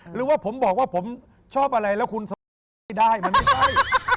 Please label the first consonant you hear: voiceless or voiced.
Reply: voiced